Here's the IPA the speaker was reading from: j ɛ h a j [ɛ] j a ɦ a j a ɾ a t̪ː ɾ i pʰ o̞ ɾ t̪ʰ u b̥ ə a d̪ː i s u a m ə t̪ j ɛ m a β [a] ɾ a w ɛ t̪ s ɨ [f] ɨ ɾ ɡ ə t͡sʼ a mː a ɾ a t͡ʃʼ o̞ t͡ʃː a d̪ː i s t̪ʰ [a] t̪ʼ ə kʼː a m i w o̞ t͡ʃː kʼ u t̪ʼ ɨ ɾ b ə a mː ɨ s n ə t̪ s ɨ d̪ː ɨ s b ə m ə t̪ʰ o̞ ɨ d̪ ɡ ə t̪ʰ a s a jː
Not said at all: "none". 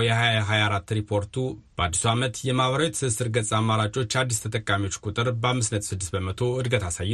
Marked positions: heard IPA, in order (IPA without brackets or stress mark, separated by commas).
a, ə, s, ə